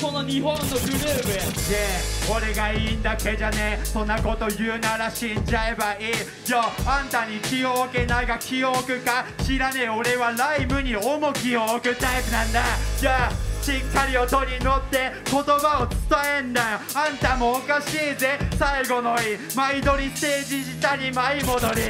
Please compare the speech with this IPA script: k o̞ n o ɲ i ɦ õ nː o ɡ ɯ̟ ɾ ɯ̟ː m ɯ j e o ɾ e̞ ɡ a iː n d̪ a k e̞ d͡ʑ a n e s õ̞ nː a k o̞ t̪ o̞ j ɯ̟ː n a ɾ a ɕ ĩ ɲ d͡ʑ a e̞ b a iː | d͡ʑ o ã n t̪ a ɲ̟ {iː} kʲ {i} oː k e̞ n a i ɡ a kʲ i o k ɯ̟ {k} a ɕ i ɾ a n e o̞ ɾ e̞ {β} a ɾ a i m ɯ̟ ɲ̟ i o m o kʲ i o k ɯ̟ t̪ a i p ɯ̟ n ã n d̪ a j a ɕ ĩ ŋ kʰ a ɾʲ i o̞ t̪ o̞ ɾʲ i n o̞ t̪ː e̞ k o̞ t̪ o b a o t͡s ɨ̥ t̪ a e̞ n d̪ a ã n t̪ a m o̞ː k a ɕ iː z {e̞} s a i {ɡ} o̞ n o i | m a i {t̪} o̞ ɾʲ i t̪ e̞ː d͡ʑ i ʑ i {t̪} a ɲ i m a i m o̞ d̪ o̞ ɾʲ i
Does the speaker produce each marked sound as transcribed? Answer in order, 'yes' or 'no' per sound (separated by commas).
no, yes, yes, yes, yes, yes, no, yes